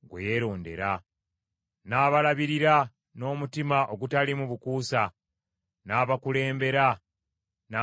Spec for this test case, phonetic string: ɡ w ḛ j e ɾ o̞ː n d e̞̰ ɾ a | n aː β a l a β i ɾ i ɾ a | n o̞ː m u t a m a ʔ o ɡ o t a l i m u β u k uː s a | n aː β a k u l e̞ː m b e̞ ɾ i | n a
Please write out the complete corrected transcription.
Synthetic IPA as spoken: ɡ w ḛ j e ɾ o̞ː n d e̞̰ ɾ a | n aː β a l a β i ɾ i ɾ a | n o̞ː m u t i m a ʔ o ɡ u t a l i m u β u k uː s a | n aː β a k u l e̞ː m b e̞ ɾ a | n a